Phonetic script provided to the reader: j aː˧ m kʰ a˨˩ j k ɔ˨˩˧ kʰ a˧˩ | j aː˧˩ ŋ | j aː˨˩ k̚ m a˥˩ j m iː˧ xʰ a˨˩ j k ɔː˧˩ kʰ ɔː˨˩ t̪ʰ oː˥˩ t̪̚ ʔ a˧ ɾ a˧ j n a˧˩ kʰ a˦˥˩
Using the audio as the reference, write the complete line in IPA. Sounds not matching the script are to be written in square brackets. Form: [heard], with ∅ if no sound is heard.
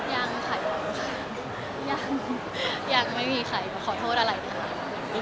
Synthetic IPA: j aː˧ [ŋ] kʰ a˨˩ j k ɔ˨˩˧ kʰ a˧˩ | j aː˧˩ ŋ | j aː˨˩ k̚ m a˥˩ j m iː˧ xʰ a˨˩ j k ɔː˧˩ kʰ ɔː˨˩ t̪ʰ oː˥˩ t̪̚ ʔ a˧ ɾ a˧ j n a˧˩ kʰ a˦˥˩